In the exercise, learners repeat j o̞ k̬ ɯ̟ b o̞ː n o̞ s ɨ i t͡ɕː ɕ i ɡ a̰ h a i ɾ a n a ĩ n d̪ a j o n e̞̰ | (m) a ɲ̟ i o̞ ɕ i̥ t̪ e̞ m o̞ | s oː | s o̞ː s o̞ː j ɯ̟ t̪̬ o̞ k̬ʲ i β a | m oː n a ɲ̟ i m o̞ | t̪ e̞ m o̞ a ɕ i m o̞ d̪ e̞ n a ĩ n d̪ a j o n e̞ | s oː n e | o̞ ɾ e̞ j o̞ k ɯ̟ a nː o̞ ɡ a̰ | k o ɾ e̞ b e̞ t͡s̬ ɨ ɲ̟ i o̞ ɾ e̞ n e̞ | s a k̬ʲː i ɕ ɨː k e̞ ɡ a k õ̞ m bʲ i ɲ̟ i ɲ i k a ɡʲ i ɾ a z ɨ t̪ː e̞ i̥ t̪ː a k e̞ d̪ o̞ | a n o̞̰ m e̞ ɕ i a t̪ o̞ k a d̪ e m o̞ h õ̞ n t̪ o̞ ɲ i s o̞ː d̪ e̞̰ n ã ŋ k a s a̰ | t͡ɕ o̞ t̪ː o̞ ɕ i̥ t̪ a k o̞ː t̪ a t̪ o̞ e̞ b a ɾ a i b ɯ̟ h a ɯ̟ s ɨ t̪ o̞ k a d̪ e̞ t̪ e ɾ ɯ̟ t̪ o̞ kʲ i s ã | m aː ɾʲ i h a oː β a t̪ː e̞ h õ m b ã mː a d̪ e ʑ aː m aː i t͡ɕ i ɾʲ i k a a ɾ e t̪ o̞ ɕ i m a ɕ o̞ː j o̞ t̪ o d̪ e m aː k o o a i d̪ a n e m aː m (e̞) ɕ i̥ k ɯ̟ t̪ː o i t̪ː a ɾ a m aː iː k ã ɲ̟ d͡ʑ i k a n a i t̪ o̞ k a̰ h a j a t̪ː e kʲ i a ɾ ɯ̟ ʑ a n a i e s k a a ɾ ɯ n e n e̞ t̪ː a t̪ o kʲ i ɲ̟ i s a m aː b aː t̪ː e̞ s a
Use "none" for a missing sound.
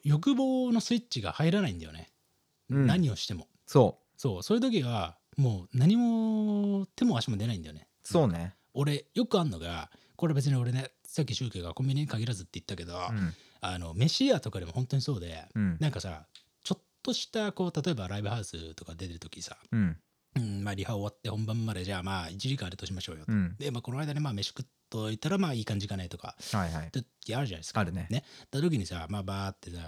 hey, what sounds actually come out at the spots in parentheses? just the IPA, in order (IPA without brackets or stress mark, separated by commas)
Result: n, e̞